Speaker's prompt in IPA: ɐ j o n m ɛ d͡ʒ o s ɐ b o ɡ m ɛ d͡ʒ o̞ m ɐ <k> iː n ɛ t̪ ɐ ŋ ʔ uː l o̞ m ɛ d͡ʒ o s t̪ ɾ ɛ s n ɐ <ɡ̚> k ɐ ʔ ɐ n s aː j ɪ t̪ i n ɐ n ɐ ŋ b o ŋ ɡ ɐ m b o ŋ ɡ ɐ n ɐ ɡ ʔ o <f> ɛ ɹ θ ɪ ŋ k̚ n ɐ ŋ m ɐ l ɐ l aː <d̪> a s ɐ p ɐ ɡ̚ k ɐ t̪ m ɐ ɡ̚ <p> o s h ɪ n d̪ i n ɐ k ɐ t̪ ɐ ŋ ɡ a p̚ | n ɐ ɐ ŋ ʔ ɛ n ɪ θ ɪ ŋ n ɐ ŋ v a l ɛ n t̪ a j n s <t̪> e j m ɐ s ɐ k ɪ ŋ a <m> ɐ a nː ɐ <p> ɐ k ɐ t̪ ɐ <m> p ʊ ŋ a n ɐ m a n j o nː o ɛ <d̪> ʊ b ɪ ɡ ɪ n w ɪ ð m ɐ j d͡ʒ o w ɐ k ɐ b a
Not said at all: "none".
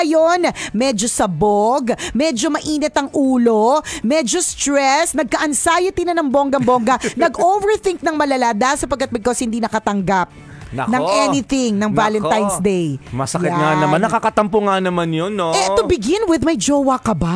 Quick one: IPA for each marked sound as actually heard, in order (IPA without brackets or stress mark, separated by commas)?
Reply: ʔ, ɡ̚, v, d̪, k, d̪, n, k, m, t̪